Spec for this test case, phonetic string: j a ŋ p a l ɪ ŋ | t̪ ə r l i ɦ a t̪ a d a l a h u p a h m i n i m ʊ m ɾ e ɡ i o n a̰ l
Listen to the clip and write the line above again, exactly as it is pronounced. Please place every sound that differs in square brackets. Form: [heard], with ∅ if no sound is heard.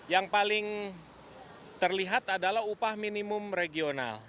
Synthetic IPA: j a ŋ p a l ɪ ŋ | t̪ ə r l i ɦ a t̪ a d a l a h u p a h m i n i m ʊ m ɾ e ɡ i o n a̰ l